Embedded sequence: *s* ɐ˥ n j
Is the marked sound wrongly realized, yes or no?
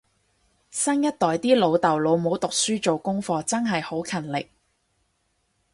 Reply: no